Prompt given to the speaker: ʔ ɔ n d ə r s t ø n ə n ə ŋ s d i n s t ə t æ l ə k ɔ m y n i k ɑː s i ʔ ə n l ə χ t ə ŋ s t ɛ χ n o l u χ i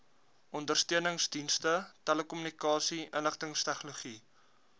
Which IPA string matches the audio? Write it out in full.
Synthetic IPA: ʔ ɔ n d ə r s t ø ə n ə ŋ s d i n s t ə t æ l ə k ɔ m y n i k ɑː s i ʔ ə n l ə χ t ə ŋ s t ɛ χ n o l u χ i